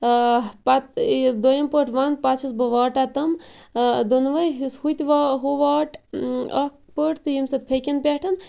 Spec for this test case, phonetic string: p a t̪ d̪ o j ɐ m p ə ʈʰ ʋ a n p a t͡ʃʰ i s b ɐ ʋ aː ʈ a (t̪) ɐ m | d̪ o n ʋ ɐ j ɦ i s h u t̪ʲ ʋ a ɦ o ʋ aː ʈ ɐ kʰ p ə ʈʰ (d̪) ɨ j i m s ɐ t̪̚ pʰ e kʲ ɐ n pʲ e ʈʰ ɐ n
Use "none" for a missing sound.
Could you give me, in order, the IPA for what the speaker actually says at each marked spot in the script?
t̪, t̪

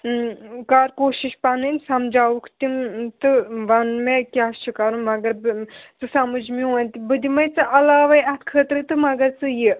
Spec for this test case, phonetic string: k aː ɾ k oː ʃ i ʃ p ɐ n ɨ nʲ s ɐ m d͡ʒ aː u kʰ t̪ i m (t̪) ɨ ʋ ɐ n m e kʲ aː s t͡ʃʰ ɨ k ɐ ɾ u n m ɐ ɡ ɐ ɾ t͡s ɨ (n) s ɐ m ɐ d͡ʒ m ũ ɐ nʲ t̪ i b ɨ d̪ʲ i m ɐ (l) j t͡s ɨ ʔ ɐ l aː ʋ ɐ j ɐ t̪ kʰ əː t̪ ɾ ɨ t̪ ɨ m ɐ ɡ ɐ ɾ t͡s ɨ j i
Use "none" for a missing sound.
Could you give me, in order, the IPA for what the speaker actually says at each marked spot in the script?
t̪, none, none

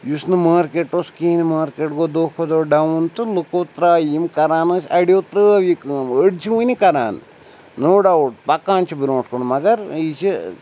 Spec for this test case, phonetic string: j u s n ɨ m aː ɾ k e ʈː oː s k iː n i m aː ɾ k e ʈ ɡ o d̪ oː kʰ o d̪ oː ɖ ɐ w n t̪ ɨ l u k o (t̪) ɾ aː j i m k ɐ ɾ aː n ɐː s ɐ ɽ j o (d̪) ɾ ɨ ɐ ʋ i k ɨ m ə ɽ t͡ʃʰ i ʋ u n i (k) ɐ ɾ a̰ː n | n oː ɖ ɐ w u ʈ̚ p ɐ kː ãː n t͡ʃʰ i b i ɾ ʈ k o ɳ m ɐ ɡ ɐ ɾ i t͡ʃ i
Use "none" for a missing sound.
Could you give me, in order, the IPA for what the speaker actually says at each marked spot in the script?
t̪, t̪, k

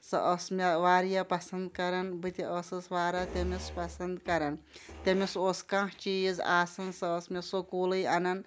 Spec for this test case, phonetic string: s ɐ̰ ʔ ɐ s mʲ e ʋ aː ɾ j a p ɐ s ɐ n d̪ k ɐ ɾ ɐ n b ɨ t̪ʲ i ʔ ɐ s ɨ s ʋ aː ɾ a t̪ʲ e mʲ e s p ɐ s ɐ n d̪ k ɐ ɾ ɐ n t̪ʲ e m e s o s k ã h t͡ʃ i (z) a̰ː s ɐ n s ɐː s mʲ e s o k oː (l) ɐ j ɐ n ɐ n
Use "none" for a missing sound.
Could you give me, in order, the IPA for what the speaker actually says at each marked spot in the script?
z, l

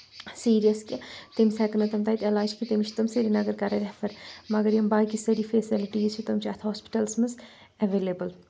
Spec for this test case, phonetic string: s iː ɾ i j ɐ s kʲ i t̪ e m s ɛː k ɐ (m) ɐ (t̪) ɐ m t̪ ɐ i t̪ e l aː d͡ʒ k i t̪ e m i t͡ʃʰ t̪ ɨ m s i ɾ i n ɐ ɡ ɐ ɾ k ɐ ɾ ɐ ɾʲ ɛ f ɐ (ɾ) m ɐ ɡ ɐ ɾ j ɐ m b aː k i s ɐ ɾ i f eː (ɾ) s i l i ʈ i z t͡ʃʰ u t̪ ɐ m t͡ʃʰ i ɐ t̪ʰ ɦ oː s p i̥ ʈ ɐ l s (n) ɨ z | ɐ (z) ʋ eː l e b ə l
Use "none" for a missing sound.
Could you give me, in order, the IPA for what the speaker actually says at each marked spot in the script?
n, t̪, ɾ, none, m, none

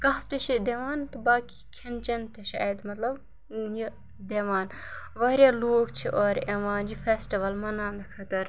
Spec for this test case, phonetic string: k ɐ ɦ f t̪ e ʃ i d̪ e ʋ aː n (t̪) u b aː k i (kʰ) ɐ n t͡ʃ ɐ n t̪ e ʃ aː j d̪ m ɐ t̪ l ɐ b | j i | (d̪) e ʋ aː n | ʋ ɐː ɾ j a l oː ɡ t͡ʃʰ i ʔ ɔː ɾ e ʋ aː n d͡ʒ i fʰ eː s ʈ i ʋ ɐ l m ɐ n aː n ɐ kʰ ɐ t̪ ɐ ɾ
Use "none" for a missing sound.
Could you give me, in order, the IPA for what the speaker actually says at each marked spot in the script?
t̪, kʰ, d̪

